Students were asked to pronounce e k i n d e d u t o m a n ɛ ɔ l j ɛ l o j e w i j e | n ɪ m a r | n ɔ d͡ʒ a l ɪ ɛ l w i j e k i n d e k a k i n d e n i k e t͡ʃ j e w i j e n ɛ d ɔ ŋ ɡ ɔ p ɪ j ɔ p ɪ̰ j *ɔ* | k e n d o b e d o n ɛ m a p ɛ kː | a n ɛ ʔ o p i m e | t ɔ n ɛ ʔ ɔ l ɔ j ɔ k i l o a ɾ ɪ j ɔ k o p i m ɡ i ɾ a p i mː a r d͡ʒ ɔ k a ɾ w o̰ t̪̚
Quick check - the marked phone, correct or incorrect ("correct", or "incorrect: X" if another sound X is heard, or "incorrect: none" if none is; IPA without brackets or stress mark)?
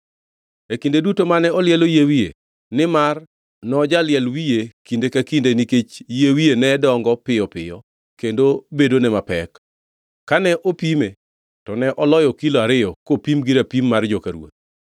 correct